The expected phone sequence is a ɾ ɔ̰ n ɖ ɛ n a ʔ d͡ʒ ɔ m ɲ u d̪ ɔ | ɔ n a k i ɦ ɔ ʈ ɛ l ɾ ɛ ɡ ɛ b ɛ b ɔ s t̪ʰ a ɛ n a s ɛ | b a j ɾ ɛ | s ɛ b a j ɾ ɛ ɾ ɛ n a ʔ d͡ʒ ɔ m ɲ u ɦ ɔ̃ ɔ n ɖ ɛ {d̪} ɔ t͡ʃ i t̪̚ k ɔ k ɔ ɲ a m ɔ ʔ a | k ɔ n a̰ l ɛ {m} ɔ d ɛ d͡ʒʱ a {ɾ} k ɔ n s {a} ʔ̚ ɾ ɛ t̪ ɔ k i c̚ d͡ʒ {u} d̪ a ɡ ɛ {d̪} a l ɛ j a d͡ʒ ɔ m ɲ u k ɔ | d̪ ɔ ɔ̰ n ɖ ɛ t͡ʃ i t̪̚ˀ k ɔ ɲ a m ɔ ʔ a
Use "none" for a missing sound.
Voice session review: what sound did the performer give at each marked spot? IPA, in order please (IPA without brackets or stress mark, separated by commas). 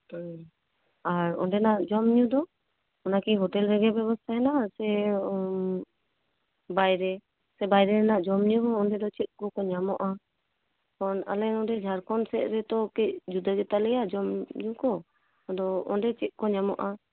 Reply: d̪, n, ɾ, ɛ, u, t̪